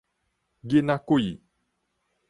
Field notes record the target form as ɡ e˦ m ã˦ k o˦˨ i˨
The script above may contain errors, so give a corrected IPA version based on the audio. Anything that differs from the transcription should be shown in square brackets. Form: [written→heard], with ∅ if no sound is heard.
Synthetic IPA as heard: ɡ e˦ [m→n] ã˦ k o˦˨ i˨